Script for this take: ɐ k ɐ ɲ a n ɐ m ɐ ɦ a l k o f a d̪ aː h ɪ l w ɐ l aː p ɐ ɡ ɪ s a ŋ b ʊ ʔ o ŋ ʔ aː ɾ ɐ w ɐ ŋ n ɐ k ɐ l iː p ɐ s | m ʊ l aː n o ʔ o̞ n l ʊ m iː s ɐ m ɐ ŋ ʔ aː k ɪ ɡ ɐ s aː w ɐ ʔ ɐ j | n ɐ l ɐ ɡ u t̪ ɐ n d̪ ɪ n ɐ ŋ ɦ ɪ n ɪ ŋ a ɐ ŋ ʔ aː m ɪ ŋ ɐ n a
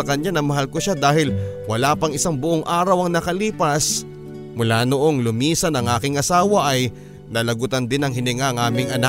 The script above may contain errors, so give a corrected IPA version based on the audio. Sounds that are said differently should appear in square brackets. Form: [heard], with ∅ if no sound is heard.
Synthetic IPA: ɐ k ɐ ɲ a n ɐ m ɐ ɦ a l k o [ʃ] a d̪ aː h ɪ l w ɐ l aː p ɐ [ŋ] ɪ s a ŋ b ʊ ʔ o ŋ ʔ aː ɾ ɐ w ɐ ŋ n ɐ k ɐ l iː p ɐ s | m ʊ l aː n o ʔ o̞ [ŋ] l ʊ m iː s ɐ [n] ɐ ŋ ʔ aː k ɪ [ŋ] ɐ s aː w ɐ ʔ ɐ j | n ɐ l ɐ ɡ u t̪ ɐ n d̪ ɪ n ɐ ŋ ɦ ɪ n ɪ ŋ a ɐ ŋ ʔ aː m ɪ ŋ ɐ n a